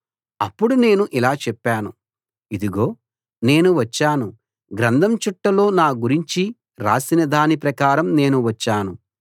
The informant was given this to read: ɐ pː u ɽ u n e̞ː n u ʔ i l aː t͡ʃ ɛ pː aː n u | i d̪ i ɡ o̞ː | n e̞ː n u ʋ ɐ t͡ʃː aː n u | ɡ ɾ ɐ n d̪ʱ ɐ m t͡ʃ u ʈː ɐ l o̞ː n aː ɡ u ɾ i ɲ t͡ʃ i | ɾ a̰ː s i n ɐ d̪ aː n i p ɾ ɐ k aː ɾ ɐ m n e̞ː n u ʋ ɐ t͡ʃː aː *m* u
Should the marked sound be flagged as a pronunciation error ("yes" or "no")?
yes